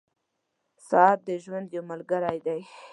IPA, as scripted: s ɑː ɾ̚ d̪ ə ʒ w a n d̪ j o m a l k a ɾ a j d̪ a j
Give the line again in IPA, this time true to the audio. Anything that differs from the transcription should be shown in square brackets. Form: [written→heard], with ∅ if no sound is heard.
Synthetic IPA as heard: s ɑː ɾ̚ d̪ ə ʒ w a n d̪ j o m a l [k→ɡ] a ɾ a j d̪ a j